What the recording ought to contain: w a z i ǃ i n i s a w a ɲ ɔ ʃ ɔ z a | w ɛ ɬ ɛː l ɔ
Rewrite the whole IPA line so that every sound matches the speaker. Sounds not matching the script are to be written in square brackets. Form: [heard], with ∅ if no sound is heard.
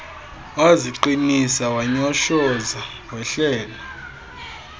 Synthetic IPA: w a z i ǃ i n i s a w a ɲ ɔ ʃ ɔ z a | w ɛ ɬ ɛː l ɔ